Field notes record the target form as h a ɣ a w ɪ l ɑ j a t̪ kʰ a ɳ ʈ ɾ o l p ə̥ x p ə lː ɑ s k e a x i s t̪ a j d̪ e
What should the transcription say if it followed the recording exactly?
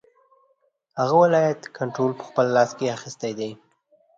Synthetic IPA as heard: h a ɣ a w ɪ l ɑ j a t̪ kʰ a ɳ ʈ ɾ o l p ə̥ x p ə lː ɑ s k e a x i s t̪ a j d̪ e

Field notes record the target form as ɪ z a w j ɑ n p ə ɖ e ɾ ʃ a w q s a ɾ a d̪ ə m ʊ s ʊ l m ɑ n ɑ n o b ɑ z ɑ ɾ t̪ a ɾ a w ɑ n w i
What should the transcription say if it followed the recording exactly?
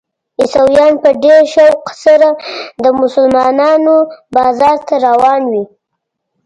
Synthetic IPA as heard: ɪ s a w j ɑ n p ə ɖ e ɾ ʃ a w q s a ɾ a d̪ ə m ʊ s ʊ l m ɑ n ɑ n o b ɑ z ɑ ɾ t̪ a ɾ a w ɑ n w i

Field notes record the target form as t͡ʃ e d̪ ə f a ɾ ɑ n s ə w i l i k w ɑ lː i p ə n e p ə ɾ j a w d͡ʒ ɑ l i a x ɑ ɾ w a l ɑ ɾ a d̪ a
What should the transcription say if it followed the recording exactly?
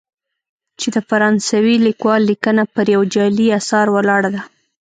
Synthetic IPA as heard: t͡ʃ e d̪ ə f a ɾ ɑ n s a w i l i k w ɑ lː i k ə n a p ə ɾ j a w d͡ʒ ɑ l i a s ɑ ɾ w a l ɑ ɽ a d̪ a

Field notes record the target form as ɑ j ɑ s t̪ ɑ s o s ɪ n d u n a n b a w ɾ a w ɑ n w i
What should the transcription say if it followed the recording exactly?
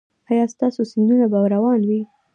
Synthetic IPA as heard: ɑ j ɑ s t̪ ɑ s o s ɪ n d u n a b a w ɾ a w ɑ n w i

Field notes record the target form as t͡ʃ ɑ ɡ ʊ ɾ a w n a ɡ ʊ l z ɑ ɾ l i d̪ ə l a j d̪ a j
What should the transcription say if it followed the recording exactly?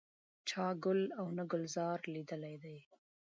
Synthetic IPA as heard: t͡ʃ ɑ ɡ ʊ l a w n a ɡ ʊ l z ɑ ɾ l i d̪ ə l a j d̪ a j

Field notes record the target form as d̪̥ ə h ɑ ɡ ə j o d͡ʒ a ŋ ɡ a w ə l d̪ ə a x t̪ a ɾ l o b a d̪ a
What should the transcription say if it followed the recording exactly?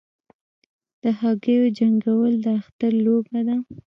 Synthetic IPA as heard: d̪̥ ə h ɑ ɡ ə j o d͡ʒ a ŋ ɡ a w ə l d̪ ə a x t̪ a ɾ l o b a d̪ a

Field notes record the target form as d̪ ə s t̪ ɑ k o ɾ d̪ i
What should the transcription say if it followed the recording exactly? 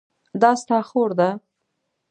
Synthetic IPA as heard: d̪ ɑ s t̪ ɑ x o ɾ d̪ a

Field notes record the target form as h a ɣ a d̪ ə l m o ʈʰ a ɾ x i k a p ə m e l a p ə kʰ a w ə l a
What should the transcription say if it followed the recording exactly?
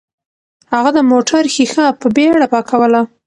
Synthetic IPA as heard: h a ɣ a d̪ ə m o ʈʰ a ɾ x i x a p ə b e ɽ a p ɑ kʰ a w ə l a

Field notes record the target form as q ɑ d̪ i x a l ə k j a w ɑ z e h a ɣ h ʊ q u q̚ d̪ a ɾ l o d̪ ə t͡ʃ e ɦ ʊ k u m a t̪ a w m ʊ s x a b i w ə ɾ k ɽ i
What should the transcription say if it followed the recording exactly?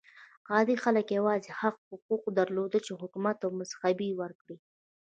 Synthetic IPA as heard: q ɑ d̪ i x a l ə k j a w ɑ z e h a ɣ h ʊ q u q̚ d̪ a ɾ l o d̪ ə t͡ʃ e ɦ ʊ k u m a t̪ a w m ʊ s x a b i w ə ɾ k ɽ i

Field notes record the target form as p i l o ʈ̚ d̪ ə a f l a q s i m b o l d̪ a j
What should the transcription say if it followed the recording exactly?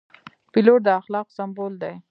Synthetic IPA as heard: p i l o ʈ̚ d̪ ə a x l ɑ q s a m b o l d̪ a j

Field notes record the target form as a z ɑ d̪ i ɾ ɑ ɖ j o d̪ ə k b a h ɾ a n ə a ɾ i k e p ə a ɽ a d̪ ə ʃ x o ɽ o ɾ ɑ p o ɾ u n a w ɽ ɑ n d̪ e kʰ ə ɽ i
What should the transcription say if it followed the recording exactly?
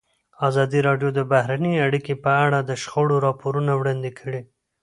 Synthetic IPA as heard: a z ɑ d̪ i ɾ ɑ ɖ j o d̪ ə b a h ɾ a n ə a ɽ i k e p ə a ɽ a d̪ ə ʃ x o ɽ o ɾ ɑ p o ɾ u n a w ɽ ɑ n d̪ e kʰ ə ɽ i

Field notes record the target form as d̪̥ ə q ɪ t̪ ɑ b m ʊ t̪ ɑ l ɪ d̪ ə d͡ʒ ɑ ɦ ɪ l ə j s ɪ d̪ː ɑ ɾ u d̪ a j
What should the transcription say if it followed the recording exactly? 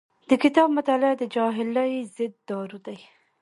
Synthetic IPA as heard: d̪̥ ə k ɪ t̪ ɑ b m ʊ t̪ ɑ l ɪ d̪ ə d͡ʒ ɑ ɦ ɪ l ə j z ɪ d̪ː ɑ ɾ u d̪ a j

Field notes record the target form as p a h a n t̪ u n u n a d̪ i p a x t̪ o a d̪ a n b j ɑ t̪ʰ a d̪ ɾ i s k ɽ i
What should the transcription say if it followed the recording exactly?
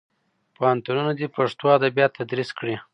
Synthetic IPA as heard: p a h a n t̪ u n u n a d̪ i p a ʂ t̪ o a d̪ a b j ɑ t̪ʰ a d̪ ɾ i s k ɽ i

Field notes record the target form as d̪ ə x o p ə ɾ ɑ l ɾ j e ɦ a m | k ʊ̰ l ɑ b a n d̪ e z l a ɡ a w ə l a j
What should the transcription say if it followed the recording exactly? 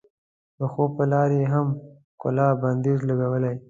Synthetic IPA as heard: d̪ ə x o p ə l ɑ ɾ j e ɦ a m | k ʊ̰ l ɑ b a n d̪ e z l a ɡ a w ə l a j

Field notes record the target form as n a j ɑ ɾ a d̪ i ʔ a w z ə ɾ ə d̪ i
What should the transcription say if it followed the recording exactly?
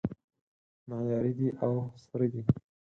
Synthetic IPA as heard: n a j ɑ ɾ i d̪ i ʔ a w s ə ɾ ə d̪ i

